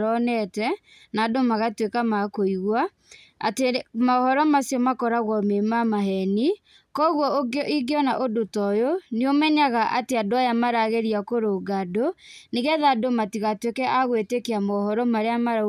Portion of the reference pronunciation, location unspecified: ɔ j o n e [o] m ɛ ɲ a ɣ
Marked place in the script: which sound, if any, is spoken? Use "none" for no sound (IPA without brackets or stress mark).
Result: o